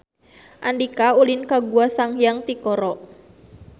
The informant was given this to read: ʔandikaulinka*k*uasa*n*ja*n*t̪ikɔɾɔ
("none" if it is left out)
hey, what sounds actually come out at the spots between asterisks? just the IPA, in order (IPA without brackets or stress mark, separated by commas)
ɡ, ŋ, ŋ